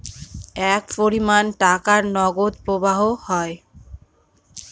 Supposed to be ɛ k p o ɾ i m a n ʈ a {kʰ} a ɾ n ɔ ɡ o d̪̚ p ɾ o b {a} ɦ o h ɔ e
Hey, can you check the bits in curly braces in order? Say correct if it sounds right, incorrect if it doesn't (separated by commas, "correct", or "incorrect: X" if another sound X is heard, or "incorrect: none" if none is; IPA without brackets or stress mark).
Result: incorrect: k, correct